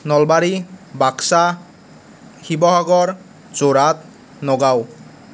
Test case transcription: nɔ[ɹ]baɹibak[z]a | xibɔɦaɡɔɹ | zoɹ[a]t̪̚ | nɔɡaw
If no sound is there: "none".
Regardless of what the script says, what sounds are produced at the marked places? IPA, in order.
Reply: l, s, a

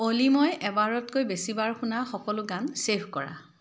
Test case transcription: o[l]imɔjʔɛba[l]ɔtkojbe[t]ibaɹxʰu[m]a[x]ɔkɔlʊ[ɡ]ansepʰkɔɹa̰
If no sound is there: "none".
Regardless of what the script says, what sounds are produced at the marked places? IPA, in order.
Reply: l, ɹ, s, n, x, ɡ

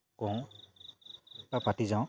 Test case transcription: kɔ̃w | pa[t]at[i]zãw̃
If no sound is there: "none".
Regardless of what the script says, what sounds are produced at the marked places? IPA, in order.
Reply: p, i

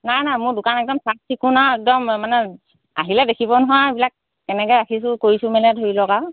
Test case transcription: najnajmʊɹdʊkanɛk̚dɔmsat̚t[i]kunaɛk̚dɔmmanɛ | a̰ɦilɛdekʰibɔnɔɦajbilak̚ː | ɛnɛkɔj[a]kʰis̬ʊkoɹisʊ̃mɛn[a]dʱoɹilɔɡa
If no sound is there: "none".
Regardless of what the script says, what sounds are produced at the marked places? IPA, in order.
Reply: i, a, ɛ

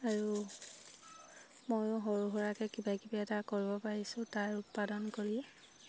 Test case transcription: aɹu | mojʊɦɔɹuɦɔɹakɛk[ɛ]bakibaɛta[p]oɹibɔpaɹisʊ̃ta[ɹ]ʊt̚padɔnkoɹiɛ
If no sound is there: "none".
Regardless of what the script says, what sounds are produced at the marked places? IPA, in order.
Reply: i, k, ɹ

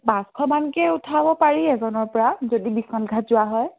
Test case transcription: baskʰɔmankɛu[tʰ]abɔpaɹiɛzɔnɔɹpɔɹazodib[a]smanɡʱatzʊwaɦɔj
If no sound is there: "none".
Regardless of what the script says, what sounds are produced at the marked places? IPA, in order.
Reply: tʰ, i

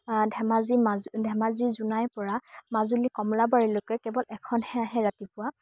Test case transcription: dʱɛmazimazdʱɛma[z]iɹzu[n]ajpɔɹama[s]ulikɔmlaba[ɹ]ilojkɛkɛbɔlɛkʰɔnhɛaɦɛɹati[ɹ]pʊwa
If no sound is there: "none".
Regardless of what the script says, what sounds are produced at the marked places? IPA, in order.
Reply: z, n, z, ɹ, none

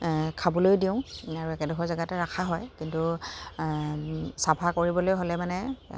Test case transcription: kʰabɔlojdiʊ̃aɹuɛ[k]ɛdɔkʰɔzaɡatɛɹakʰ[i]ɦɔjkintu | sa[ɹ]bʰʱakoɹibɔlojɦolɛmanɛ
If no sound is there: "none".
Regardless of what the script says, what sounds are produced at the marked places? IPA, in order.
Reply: k, a, none

